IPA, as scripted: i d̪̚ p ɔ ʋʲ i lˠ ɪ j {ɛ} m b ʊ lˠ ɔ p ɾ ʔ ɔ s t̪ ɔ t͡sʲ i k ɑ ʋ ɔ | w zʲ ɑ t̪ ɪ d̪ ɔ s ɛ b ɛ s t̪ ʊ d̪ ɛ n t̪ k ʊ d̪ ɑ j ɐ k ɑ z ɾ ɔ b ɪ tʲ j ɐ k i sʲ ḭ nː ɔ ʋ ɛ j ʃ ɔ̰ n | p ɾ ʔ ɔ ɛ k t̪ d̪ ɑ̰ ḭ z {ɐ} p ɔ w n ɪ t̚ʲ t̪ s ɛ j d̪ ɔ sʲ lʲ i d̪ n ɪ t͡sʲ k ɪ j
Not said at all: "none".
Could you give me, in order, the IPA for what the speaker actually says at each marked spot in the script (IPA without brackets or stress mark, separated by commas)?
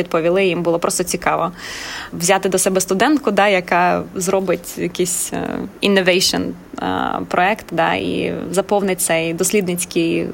i, ɐ